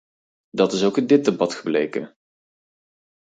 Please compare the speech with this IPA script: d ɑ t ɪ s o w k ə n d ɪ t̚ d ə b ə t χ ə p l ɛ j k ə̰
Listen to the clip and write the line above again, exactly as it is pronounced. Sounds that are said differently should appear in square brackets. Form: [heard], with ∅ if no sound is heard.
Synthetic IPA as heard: d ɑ t ɪ s o w k ə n d ɪ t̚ d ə b [ɑ] t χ ə [b] l [e] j k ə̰